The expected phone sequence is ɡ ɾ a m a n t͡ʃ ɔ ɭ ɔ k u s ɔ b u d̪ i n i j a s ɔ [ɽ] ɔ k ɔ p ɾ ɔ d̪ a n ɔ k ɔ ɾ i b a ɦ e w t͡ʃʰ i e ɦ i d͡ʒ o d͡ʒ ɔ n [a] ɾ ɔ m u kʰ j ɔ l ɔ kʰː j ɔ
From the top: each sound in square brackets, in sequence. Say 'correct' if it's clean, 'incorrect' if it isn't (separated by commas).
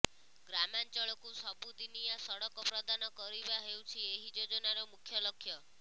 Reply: correct, correct